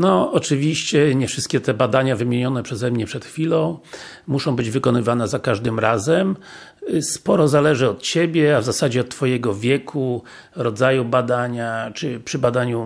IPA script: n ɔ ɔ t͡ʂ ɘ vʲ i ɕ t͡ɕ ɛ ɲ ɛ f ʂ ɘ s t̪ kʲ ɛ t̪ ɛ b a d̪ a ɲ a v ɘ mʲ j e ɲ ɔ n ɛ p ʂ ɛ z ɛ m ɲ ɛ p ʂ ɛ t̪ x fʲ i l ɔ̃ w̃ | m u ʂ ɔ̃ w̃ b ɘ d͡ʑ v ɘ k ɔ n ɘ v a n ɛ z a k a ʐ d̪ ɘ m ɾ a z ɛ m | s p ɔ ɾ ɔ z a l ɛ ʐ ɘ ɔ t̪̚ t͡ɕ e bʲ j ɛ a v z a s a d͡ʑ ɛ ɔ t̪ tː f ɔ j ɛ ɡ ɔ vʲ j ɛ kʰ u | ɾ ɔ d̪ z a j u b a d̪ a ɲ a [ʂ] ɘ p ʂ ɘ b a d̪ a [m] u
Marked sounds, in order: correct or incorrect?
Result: incorrect, incorrect

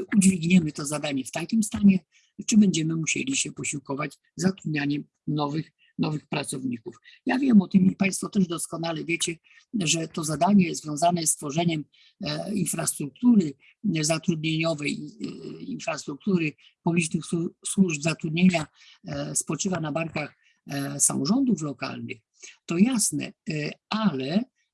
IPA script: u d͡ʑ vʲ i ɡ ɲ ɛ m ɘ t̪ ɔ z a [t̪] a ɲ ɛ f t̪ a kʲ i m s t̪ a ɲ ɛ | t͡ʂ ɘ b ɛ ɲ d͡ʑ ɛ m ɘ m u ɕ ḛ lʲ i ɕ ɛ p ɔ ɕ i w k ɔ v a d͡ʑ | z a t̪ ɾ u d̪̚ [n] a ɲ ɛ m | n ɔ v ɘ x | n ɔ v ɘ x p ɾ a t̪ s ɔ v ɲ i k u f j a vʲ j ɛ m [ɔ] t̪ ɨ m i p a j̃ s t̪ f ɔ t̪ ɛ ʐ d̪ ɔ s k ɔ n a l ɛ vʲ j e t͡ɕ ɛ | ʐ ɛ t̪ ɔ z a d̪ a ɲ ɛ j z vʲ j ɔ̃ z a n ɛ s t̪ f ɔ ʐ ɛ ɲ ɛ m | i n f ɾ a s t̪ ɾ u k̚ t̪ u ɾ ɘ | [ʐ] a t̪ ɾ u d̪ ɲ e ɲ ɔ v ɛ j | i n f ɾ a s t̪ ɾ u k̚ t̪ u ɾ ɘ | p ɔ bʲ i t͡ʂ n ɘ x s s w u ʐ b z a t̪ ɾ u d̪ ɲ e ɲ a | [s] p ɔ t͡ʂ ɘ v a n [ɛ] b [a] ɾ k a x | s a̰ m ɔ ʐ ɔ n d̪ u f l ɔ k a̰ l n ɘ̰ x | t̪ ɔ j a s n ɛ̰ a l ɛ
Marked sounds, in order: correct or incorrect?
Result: incorrect, incorrect, correct, incorrect, correct, incorrect, correct

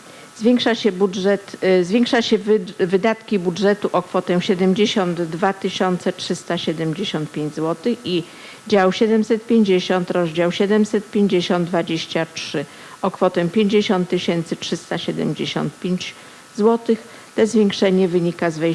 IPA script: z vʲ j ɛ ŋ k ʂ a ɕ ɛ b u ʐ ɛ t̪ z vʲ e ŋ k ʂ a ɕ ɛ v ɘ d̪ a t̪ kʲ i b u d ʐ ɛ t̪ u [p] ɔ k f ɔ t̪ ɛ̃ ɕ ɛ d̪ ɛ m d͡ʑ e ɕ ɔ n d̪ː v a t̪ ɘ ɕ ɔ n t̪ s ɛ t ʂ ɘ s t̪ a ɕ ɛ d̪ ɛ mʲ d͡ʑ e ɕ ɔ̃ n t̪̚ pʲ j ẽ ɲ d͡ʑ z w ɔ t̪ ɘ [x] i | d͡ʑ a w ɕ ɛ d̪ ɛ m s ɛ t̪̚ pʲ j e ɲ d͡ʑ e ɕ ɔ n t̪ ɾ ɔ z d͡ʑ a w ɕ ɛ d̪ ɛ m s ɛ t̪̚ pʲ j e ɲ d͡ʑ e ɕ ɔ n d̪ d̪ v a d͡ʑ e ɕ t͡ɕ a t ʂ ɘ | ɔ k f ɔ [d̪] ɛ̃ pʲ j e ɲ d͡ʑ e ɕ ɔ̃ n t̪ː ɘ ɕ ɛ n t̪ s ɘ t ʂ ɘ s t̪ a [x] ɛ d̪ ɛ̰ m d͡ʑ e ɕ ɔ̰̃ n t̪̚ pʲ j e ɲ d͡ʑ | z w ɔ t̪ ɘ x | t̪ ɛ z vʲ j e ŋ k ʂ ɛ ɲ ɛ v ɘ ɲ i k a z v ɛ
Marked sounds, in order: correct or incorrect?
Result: incorrect, correct, incorrect, incorrect

